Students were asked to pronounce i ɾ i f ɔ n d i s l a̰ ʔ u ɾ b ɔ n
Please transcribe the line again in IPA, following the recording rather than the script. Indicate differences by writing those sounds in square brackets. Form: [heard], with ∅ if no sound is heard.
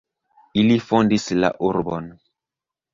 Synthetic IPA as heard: i [l] i f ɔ n d i s l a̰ ʔ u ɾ b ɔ n